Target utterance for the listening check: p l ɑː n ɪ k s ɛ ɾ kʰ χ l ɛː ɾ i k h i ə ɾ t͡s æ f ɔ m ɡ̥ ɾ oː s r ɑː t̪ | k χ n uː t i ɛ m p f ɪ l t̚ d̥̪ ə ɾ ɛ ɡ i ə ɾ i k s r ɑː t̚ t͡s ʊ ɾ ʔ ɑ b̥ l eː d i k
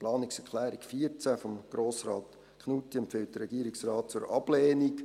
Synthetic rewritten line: p l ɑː n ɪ k s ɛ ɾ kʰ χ l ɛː ɾ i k f i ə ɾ t͡s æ f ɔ m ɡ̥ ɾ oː s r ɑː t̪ | k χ n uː t i ɛ m p f ɪ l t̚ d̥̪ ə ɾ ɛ ɡ i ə ɾ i k s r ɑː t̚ t͡s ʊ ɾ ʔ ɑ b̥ l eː n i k